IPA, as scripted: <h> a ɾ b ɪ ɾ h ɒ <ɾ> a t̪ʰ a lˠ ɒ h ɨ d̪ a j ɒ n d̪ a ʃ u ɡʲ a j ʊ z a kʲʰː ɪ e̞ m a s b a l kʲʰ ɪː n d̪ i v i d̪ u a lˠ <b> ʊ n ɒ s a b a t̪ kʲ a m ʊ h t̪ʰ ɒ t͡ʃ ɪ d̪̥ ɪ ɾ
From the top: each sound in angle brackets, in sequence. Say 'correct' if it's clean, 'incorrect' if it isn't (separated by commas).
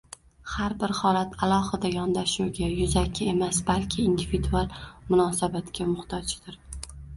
correct, incorrect, incorrect